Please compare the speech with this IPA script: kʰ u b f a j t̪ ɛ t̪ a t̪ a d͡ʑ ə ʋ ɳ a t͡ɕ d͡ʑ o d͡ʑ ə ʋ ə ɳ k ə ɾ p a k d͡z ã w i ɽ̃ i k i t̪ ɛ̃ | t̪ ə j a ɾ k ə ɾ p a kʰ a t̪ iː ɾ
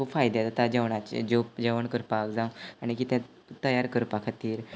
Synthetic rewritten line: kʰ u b f a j d̪ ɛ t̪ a t̪ a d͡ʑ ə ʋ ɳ a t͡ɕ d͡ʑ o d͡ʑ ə ʋ ə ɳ k ə ɾ p a k d͡z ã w a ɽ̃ i k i t̪ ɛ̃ | t̪ ə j a ɾ k ə ɾ p a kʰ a t̪ iː ɾ